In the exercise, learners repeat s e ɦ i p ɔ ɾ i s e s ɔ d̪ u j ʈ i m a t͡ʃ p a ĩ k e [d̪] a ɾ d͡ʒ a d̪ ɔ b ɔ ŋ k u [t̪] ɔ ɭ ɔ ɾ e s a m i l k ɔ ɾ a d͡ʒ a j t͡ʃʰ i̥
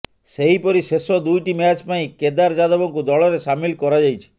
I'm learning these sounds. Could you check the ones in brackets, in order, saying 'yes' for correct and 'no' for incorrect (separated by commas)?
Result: yes, no